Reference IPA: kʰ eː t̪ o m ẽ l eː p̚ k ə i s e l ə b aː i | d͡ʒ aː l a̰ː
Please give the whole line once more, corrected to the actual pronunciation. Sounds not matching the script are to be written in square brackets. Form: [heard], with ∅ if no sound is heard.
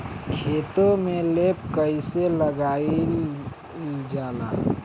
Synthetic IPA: kʰ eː t̪ o m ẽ l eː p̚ k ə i s e l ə [ɡ] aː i | d͡ʒ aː l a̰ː